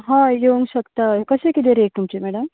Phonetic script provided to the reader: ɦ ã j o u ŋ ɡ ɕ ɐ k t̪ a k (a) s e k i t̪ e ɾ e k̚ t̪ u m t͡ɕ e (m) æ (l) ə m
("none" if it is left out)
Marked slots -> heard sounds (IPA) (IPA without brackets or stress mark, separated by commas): ə, m, ɽ